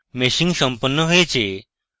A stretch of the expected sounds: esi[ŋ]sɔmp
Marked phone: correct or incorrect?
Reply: correct